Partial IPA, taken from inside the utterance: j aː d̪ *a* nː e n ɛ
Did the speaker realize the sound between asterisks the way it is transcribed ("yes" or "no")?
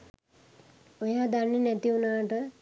yes